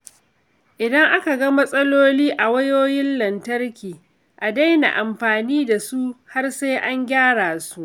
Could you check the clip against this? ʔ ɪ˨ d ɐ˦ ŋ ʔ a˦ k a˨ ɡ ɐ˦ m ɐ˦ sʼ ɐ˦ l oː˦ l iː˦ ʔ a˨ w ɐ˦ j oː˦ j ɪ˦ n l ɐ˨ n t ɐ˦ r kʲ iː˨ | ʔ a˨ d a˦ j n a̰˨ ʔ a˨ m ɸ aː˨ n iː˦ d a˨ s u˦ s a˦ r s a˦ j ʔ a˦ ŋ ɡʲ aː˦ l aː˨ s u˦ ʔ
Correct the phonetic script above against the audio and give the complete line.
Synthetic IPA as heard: ʔ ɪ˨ d ɐ˦ ŋ ʔ a˦ k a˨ ɡ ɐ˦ m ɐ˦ sʼ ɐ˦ l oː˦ l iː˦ ʔ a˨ w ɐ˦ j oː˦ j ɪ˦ n l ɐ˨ n t ɐ˦ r kʲ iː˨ | ʔ a˨ d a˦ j n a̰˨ ʔ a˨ m ɸ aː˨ n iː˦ d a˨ s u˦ h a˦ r s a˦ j ʔ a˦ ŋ ɡʲ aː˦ ɽ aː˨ s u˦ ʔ